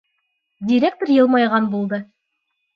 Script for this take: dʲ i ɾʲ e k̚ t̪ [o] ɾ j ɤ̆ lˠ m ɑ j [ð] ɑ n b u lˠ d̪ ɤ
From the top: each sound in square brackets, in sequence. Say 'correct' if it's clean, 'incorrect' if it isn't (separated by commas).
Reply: correct, incorrect